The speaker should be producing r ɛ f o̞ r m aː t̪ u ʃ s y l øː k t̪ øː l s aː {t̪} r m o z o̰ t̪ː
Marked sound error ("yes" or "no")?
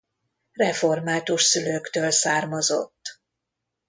yes